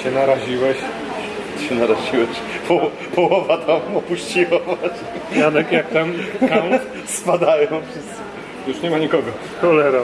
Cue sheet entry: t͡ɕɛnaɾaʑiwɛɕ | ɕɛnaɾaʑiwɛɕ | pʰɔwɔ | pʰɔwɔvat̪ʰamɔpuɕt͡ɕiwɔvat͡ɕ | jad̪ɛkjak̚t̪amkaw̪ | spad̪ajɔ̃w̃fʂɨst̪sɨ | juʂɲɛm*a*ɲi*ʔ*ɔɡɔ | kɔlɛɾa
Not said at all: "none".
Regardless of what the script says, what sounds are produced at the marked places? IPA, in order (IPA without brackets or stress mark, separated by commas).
a, k